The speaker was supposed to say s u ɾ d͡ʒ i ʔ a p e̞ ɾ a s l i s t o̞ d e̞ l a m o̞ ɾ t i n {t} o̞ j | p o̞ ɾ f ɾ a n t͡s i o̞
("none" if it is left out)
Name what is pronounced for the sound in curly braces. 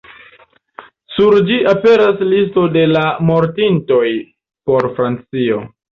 t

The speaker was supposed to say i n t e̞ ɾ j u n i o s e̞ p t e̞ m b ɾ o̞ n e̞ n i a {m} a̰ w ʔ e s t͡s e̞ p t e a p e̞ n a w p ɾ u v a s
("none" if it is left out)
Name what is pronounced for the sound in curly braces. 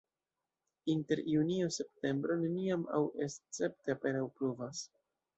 m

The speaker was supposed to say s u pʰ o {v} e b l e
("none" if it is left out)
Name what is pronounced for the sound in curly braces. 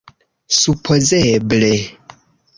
z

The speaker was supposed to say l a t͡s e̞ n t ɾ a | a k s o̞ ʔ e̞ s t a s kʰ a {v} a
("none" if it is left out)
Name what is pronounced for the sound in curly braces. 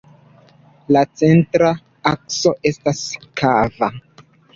v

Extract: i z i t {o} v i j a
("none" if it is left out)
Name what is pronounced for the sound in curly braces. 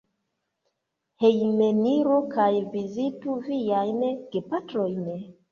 u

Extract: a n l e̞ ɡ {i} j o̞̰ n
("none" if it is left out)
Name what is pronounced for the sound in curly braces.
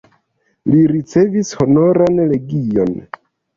i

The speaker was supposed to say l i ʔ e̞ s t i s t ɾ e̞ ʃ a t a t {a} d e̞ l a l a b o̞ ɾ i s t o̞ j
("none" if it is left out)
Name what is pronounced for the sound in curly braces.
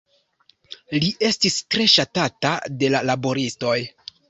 a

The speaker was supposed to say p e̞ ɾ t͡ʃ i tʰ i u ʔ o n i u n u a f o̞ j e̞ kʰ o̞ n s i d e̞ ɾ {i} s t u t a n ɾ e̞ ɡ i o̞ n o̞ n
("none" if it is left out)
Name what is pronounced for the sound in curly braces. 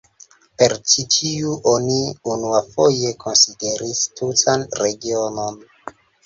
i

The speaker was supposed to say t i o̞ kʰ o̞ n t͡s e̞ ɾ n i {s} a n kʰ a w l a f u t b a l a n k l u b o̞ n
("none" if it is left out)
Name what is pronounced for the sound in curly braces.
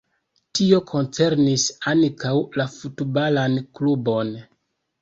s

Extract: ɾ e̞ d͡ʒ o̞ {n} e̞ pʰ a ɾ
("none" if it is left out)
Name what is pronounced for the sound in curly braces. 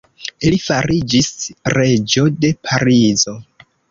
d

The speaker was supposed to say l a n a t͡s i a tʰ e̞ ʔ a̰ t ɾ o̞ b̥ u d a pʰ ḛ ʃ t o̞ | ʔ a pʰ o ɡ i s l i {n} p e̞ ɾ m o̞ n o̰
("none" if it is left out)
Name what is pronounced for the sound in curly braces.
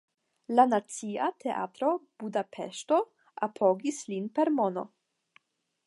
n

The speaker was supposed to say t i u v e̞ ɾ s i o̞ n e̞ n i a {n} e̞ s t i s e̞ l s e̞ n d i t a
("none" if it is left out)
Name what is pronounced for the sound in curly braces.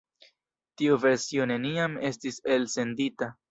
m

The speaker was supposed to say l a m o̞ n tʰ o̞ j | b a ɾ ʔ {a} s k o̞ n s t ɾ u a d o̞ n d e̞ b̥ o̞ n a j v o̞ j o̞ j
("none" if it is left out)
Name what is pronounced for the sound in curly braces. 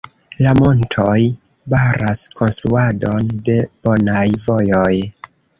a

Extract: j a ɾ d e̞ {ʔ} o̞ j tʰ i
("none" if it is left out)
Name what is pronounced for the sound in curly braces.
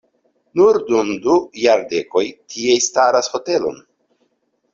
k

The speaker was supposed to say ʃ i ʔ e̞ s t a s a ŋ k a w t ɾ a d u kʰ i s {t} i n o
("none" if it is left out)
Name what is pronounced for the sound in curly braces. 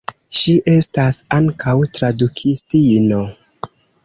t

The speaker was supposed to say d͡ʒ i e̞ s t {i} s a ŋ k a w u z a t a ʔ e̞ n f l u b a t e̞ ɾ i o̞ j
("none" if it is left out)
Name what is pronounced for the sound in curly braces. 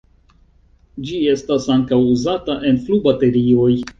a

